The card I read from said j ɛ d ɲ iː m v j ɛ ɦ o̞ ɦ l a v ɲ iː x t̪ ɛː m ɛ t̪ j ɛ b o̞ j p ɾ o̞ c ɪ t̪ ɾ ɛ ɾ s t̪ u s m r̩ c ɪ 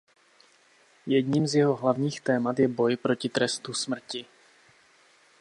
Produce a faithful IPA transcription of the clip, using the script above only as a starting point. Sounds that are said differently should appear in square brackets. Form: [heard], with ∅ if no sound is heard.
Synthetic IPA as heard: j ɛ d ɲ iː m [z] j ɛ ɦ o̞ ɦ l a v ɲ iː x t̪ ɛː m [a] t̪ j ɛ b o̞ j p ɾ o̞ c ɪ t̪ ɾ ɛ [∅] s t̪ u s m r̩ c ɪ